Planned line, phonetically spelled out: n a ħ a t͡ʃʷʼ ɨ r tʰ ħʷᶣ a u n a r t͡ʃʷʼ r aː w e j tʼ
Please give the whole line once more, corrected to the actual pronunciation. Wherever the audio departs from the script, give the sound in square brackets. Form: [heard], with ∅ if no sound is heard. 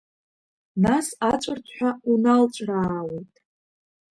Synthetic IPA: n a [s] a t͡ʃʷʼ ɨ r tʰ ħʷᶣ a u n a [l] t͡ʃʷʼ r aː w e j tʼ